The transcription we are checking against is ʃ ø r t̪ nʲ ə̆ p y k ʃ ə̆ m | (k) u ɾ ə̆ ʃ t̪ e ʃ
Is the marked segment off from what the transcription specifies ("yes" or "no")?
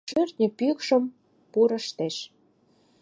yes